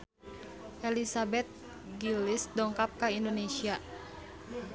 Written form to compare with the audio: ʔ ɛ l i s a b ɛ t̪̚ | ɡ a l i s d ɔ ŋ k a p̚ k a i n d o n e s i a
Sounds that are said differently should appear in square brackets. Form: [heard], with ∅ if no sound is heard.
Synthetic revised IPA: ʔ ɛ l i s a b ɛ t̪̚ | ɡ [i] l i s d ɔ ŋ k a p̚ k a i n d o n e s i a